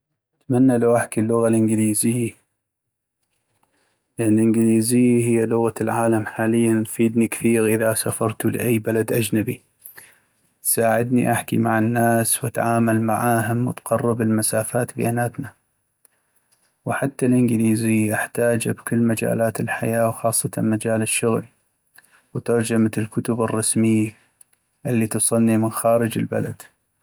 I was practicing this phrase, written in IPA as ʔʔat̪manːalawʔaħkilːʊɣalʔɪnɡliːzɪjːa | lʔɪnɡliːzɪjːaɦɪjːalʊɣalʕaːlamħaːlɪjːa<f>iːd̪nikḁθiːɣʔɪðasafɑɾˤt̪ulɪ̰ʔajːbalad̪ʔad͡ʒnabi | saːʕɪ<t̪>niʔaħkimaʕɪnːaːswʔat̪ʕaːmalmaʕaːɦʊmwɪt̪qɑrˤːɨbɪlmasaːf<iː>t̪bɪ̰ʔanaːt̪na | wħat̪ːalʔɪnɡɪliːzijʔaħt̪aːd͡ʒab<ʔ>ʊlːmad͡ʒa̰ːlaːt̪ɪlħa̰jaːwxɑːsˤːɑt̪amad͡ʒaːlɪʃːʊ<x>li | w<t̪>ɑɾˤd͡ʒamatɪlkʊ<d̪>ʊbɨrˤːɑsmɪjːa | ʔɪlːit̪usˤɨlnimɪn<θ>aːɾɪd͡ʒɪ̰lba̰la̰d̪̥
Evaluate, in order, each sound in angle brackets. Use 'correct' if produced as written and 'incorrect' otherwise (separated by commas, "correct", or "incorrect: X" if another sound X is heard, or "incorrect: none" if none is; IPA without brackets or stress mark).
correct, incorrect: d̪, incorrect: aː, incorrect: k, incorrect: ɣ, correct, incorrect: t̪, incorrect: x